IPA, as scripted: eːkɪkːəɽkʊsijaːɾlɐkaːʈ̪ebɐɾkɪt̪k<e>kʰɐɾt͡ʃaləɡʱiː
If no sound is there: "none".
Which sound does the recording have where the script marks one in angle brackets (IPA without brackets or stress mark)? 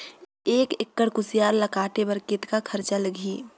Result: a